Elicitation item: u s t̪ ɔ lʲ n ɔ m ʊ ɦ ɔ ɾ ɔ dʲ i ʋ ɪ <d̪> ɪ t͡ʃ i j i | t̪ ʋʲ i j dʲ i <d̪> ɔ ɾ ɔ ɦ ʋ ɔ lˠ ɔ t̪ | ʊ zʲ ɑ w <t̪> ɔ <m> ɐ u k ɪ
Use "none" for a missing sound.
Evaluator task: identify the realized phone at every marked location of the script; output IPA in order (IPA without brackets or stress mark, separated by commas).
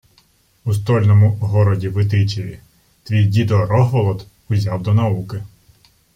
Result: t̪, d̪, d̪, n